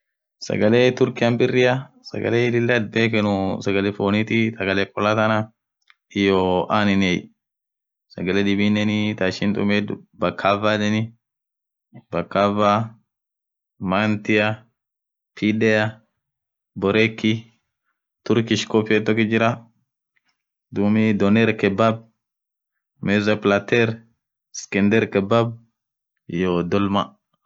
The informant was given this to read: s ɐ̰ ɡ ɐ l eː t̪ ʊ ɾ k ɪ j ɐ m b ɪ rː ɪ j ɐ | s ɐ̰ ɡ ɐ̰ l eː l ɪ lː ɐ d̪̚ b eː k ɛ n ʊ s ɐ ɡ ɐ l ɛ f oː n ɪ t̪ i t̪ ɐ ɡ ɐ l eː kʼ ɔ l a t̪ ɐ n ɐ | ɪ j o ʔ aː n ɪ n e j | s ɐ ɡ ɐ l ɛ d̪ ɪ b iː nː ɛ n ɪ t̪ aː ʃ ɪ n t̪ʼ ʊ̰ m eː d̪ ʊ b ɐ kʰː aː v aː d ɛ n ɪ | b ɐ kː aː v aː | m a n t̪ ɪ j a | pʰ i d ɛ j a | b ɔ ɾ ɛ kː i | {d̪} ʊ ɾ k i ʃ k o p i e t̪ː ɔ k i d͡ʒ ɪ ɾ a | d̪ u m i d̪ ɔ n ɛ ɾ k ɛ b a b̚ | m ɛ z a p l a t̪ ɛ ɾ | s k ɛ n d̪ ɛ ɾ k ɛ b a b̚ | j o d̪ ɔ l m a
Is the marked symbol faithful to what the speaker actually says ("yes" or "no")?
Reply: no